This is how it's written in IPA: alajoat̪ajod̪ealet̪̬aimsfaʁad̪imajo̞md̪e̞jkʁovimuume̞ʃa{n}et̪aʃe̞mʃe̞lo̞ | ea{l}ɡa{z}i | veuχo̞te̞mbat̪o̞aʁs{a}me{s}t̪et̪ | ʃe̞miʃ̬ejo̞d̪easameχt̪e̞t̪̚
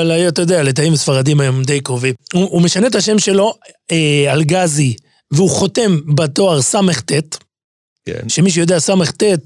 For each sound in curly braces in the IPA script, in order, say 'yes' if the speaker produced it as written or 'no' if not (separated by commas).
yes, yes, yes, yes, no